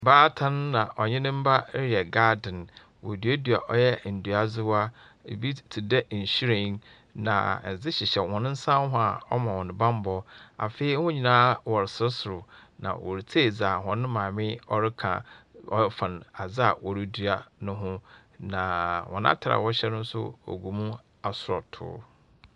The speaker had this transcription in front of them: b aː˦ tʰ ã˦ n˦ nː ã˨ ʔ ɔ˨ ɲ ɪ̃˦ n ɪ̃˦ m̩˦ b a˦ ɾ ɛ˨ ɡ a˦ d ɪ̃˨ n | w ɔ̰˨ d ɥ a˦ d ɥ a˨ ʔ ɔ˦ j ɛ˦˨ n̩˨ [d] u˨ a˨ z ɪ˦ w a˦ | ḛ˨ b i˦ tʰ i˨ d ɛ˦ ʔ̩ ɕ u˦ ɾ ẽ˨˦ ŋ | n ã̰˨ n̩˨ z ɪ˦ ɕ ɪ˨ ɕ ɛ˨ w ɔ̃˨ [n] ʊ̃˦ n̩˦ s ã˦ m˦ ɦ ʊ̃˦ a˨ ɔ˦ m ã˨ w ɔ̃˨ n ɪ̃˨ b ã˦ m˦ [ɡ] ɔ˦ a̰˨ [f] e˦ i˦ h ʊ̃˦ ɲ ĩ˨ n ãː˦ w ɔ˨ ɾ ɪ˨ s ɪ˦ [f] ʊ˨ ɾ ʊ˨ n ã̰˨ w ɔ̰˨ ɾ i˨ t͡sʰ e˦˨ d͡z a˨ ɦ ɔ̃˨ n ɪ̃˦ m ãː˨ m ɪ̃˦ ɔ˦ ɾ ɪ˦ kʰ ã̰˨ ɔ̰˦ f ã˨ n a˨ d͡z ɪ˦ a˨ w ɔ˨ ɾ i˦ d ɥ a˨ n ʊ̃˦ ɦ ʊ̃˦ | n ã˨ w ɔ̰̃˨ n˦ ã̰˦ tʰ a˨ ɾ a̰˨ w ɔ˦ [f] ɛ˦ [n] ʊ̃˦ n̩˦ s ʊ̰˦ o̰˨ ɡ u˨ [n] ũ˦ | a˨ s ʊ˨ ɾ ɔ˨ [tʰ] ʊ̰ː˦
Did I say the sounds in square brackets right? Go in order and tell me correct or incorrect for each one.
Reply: correct, correct, incorrect: b, correct, incorrect: s, incorrect: ɕ, correct, incorrect: m, correct

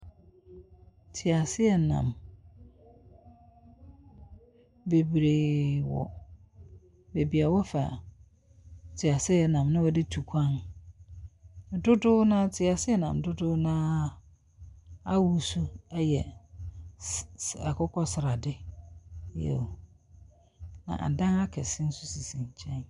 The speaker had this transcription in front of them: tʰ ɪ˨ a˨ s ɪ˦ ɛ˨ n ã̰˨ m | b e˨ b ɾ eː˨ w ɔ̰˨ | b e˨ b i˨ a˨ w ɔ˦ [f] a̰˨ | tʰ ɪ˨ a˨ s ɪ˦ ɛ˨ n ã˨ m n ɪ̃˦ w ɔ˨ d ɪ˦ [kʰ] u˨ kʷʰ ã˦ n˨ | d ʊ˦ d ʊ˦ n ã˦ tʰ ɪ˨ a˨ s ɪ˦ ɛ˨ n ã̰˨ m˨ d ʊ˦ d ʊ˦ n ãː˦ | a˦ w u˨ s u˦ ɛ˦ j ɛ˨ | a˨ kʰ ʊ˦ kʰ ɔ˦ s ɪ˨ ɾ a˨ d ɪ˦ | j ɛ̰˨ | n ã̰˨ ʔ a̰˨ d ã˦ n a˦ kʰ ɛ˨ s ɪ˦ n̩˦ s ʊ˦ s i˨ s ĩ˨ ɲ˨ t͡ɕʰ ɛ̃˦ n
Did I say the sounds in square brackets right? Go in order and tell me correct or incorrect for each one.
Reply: correct, incorrect: tʰ

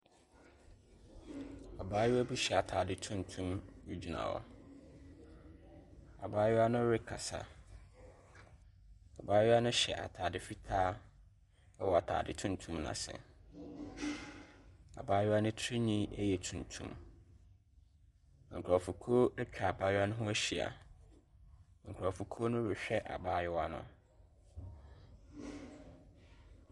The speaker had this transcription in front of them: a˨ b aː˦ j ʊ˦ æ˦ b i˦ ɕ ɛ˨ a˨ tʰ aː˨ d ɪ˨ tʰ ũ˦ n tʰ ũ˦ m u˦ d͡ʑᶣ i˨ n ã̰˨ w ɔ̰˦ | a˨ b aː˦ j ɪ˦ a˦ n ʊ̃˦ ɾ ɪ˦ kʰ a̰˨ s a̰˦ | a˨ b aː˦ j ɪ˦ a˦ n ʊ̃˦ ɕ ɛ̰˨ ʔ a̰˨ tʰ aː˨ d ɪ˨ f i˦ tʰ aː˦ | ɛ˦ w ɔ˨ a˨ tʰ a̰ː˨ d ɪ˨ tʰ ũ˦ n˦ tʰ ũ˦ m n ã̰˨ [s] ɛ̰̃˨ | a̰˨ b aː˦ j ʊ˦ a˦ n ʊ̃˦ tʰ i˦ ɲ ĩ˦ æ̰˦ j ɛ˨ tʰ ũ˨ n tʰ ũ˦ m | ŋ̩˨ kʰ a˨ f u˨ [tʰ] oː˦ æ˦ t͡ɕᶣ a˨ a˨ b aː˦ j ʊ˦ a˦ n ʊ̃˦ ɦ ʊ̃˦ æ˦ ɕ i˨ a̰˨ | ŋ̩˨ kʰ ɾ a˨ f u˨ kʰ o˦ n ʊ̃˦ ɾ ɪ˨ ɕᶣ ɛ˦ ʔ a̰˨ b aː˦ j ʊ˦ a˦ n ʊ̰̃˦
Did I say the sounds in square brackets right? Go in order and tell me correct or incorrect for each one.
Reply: correct, incorrect: kʰ

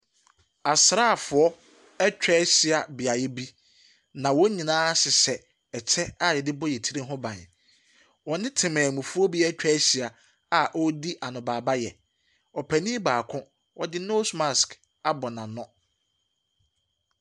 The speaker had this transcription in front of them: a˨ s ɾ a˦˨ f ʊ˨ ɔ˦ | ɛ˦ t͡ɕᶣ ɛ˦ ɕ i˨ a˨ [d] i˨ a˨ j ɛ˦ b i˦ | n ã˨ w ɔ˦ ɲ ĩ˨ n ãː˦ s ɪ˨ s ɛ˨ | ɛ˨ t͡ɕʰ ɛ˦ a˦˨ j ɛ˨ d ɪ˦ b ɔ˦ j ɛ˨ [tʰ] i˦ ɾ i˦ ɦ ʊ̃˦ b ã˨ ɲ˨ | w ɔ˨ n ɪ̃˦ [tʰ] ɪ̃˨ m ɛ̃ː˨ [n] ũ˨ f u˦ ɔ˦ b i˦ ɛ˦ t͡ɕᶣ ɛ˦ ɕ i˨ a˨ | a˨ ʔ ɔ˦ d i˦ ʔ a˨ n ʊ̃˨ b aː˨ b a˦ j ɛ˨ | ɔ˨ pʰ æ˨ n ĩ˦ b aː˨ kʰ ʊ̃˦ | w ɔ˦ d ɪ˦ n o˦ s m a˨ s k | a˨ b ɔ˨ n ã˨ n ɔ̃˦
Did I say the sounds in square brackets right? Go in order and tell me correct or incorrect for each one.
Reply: incorrect: b, correct, correct, incorrect: m

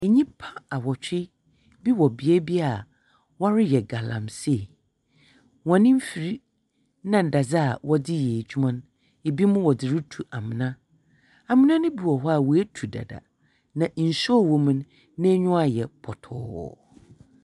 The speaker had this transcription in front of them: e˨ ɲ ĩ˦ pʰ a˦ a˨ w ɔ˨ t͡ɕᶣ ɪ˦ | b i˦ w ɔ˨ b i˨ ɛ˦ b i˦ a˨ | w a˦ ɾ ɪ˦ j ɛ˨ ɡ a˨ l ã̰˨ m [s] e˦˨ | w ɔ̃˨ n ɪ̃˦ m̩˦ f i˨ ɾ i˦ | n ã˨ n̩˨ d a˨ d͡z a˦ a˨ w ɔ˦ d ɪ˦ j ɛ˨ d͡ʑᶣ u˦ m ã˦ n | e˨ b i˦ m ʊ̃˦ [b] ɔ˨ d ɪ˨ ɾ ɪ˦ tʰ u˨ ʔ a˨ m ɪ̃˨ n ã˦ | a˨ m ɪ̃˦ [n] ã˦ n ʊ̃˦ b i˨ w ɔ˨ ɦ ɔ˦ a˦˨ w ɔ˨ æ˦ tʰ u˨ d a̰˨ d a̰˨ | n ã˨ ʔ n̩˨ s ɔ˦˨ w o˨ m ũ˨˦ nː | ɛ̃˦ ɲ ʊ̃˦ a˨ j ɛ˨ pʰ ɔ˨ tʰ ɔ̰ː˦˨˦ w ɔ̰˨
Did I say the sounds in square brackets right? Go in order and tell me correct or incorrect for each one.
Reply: correct, incorrect: w, correct

